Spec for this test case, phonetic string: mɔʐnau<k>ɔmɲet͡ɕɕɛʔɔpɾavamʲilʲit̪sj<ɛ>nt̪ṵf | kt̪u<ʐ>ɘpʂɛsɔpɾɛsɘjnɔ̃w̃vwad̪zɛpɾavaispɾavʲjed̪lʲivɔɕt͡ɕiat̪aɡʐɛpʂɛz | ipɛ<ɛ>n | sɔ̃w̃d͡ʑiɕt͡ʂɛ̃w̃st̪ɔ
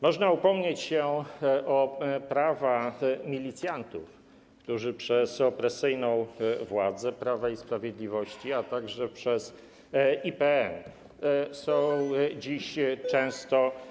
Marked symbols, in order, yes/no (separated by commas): no, no, yes, yes